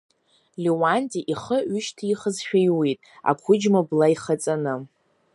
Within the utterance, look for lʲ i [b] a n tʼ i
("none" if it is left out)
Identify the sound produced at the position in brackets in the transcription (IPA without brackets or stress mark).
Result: w